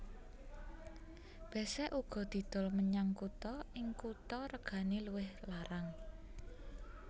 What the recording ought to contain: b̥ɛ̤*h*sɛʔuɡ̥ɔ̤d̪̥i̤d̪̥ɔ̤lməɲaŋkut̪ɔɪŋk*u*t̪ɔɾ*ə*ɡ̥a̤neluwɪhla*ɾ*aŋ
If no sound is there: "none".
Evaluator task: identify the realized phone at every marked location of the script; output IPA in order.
none, u, ə, ɾ

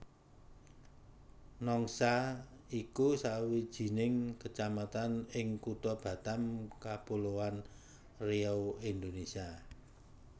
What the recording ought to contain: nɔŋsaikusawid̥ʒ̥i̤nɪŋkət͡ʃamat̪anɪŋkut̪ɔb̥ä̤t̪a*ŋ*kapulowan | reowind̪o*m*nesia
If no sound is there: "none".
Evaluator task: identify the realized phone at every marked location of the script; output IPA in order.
m, none

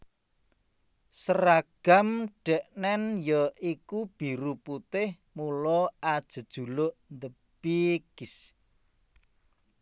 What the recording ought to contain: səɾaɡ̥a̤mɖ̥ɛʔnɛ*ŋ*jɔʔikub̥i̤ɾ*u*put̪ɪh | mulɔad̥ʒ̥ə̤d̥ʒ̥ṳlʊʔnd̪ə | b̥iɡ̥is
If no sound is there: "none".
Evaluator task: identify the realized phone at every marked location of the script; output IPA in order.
n, u

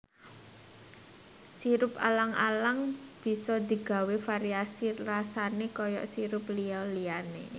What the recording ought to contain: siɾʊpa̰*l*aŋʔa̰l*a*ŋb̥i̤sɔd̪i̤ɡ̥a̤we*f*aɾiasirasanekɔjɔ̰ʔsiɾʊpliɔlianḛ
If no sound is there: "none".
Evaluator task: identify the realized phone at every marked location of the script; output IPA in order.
l, a, f

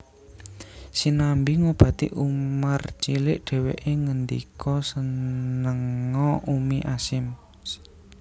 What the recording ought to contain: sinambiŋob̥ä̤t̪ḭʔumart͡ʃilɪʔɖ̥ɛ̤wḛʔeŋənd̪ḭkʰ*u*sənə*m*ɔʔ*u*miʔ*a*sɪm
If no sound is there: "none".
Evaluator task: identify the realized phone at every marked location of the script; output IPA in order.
ɔ, ŋ, u, a

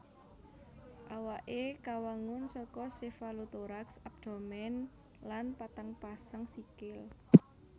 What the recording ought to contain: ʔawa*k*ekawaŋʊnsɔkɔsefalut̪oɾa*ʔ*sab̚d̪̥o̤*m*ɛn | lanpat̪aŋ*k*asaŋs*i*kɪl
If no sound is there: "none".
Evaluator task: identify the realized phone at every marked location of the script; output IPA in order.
ʔ, k, m, p, i

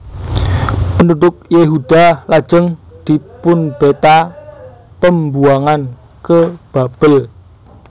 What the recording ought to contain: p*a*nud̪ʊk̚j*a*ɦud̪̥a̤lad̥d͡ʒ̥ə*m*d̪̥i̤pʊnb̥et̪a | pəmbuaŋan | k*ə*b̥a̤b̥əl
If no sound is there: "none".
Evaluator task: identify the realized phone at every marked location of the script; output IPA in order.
ə, e, ŋ, ə

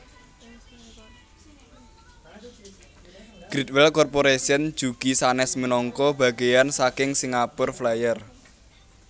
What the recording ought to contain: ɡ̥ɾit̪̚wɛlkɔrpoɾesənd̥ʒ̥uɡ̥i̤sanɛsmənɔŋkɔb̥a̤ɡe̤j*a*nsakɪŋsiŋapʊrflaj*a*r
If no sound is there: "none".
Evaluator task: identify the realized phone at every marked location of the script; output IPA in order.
a, ə

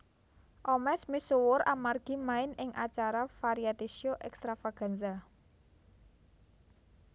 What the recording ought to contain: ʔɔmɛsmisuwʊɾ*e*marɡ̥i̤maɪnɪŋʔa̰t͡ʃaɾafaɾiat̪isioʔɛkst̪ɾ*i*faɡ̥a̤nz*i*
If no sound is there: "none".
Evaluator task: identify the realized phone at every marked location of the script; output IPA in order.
a, a, a

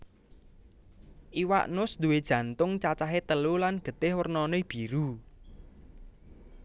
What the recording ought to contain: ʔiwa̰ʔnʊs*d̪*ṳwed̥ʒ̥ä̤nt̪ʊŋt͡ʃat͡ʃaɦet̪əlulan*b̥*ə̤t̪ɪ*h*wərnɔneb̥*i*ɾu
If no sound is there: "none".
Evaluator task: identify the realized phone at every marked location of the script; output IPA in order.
d̪, ɡ̥, h, i

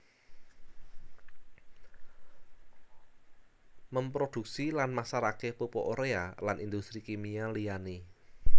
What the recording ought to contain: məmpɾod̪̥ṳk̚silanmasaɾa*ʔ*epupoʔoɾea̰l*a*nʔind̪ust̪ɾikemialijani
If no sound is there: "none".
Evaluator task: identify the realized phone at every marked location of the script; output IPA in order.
k, a

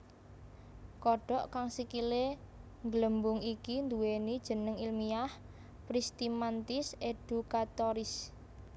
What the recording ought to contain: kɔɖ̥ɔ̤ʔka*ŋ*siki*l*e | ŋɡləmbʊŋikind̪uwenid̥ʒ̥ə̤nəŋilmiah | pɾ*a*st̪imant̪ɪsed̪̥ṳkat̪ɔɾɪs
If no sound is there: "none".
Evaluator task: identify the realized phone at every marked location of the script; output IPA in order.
ŋ, l, i

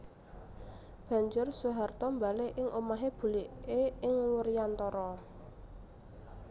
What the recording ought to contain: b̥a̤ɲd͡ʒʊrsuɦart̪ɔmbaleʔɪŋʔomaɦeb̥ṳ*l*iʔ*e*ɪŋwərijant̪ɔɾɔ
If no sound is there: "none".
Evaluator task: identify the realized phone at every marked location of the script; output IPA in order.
l, e

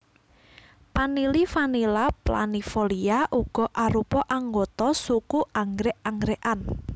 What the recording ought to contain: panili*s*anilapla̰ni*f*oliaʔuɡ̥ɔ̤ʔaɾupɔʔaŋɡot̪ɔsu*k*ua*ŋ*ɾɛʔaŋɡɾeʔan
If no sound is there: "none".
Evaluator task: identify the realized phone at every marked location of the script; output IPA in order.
f, f, k, ŋ

